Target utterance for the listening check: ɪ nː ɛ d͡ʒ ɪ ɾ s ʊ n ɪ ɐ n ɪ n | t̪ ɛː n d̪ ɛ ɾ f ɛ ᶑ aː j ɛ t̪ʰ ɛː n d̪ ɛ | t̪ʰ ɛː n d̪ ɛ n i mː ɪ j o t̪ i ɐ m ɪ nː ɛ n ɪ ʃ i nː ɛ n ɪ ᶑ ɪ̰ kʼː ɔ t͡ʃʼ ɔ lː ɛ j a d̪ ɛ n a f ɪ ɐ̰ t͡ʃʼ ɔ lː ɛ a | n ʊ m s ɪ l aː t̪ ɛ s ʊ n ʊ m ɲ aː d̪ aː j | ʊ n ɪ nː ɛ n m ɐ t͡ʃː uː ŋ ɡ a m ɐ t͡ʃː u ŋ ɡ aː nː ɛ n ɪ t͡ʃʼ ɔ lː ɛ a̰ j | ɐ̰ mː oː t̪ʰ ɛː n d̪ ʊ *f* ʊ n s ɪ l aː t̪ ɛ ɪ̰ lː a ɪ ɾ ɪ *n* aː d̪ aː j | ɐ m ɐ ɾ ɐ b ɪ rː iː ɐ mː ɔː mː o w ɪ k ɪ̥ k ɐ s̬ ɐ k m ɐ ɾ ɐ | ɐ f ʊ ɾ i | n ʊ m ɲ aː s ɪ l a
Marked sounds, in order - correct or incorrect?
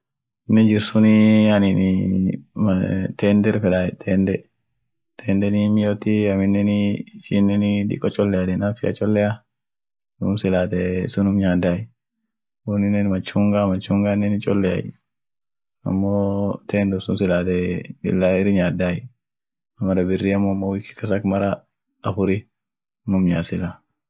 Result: incorrect: s, incorrect: ɲ

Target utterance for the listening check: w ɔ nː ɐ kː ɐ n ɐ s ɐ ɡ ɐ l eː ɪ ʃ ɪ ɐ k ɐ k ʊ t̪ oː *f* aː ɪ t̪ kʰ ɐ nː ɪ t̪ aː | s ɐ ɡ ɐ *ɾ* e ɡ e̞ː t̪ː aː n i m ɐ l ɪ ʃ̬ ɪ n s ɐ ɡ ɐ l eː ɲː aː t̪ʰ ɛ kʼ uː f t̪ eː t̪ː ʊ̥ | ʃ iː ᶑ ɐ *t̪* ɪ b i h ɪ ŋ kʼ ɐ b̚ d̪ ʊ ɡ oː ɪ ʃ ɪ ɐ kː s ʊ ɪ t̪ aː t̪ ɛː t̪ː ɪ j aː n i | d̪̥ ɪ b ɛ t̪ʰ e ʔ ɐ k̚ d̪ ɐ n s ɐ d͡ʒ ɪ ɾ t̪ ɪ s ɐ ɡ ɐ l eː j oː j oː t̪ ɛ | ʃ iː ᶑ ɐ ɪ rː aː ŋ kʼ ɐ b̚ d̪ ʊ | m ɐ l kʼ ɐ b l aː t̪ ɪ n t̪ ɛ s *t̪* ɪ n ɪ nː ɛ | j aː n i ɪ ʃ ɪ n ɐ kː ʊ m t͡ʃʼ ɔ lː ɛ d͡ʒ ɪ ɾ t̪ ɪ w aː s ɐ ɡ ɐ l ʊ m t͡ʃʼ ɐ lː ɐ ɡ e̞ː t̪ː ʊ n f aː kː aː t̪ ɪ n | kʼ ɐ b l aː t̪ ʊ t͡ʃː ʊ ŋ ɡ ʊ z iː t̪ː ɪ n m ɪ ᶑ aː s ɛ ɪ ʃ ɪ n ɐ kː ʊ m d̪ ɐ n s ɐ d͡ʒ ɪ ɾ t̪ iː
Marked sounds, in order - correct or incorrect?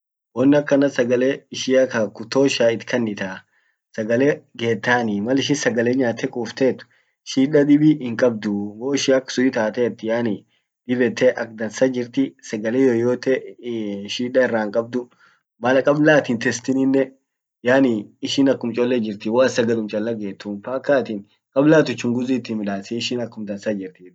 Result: incorrect: ʃ, incorrect: l, incorrect: d̪, correct

